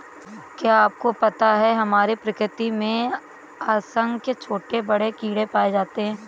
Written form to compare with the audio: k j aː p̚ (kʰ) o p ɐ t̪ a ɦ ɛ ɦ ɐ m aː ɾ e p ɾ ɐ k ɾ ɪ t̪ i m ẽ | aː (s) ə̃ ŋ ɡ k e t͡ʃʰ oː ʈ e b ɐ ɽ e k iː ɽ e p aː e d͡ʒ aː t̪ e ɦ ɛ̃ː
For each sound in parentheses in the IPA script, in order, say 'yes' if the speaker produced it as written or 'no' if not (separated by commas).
no, yes